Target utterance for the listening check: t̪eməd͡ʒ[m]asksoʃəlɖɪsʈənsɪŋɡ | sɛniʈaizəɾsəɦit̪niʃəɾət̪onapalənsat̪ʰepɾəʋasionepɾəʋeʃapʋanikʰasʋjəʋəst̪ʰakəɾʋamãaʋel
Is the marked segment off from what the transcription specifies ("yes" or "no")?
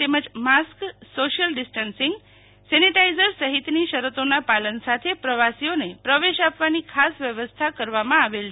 no